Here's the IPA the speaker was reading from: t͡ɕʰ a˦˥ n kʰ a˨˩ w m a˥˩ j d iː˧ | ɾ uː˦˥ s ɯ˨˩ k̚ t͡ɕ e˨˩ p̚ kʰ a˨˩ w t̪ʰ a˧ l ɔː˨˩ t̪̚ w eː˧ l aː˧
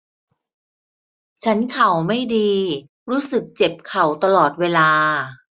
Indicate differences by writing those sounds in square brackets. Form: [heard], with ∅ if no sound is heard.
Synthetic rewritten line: t͡ɕʰ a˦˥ n kʰ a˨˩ w m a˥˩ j d iː˧ | ɾ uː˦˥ s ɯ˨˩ k̚ t͡ɕ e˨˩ p̚ kʰ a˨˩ w [t̪] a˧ l ɔː˨˩ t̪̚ w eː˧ l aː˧